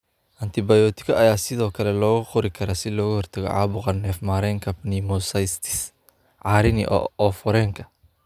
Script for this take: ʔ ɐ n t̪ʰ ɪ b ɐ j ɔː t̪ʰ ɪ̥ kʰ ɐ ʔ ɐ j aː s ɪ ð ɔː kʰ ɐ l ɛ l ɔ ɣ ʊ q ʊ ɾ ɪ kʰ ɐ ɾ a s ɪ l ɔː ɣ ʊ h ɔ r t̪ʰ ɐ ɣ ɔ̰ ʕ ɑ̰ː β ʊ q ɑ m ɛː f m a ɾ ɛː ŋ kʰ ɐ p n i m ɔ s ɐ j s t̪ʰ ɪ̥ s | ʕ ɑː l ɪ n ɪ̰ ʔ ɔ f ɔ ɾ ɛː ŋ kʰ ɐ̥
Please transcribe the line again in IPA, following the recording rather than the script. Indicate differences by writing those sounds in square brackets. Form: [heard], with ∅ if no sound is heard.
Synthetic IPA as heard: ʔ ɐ n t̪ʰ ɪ b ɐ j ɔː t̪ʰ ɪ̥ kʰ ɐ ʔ ɐ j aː s ɪ ð ɔː kʰ ɐ l ɛ l [ɔː] ɣ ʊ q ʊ ɾ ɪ kʰ ɐ ɾ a s ɪ l ɔː ɣ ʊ h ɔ r t̪ʰ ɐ ɣ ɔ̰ ʕ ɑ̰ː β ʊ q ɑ [n] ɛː f m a ɾ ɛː ŋ kʰ ɐ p n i m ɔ s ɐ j s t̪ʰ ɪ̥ s | ʕ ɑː [ɾ] ɪ n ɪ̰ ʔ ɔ f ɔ ɾ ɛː ŋ kʰ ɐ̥